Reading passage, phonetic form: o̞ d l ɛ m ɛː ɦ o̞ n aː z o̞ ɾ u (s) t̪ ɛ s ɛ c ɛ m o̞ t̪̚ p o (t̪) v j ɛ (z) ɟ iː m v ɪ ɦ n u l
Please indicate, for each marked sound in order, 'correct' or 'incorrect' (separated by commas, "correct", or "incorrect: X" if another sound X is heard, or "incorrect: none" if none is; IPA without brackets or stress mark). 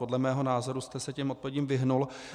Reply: correct, incorrect: none, incorrect: none